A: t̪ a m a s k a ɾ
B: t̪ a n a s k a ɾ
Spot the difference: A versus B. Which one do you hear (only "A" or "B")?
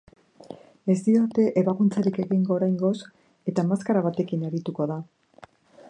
A